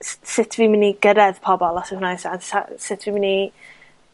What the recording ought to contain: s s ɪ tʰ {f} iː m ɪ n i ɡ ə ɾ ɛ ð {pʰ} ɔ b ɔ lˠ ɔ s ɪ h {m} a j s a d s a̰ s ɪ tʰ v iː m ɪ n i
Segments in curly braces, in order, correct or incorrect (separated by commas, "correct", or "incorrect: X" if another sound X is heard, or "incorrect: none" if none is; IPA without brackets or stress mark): incorrect: v, correct, incorrect: n